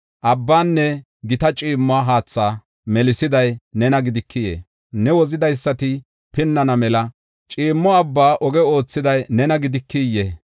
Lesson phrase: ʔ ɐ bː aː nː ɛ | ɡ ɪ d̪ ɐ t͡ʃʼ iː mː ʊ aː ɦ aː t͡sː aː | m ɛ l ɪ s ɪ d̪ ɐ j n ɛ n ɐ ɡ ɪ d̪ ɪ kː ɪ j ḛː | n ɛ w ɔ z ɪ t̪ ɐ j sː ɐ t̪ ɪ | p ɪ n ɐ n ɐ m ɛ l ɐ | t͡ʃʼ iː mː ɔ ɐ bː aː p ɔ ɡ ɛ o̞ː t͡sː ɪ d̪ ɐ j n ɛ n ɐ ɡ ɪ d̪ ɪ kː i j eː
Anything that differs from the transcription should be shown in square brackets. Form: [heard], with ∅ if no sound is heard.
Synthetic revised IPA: ʔ ɐ bː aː nː ɛ | ɡ ɪ [t̪] ɐ t͡ʃʼ iː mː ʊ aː ɦ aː t͡sː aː | m ɛ l ɪ s ɪ d̪ ɐ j n ɛ n ɐ ɡ ɪ d̪ ɪ kː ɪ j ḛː | n ɛ w ɔ z ɪ [d̪] ɐ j sː ɐ t̪ ɪ | p ɪ [nː] ɐ n ɐ m ɛ l ɐ | t͡ʃʼ iː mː ɔ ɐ bː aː [ʔ] ɔ ɡ ɛ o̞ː t͡sː ɪ d̪ ɐ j n ɛ n ɐ ɡ ɪ d̪ ɪ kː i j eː